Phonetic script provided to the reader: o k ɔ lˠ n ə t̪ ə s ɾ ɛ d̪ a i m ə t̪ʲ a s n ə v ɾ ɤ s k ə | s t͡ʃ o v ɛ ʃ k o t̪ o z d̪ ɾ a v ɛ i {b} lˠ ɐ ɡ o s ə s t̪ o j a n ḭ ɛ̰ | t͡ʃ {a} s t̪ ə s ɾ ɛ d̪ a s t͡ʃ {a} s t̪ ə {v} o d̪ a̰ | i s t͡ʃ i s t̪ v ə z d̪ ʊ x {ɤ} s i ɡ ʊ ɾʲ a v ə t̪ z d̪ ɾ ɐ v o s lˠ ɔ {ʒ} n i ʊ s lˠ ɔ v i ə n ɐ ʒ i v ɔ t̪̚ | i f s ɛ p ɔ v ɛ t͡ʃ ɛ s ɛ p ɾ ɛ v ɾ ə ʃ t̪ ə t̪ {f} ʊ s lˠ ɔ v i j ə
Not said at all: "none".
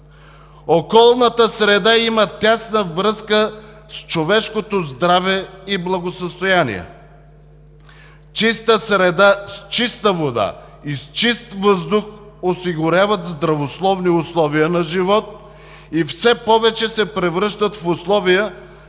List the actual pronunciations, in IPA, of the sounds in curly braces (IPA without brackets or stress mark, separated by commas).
b, i, i, v, o, v, f